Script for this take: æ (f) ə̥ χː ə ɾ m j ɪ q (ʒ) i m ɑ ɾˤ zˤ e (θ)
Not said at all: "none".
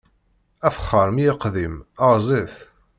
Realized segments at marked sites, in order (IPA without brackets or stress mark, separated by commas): f, ð, θ